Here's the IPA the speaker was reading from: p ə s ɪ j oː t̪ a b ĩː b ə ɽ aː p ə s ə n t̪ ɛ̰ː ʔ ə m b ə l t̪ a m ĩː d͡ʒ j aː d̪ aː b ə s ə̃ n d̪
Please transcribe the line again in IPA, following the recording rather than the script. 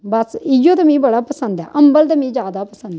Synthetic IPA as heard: b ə s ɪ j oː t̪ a m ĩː b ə ɽ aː p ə s ə n d̪ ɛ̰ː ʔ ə m b ə l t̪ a m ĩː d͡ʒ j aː d̪ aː p ə s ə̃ n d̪